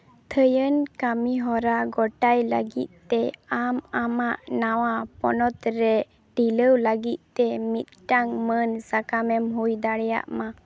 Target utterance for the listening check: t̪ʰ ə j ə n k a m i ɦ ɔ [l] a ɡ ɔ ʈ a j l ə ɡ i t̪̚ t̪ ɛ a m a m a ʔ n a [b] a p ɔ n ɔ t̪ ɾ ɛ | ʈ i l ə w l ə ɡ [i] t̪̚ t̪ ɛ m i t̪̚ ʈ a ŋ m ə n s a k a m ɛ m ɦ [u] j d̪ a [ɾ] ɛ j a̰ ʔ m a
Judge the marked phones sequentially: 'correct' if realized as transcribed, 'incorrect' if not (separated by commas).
incorrect, incorrect, correct, correct, incorrect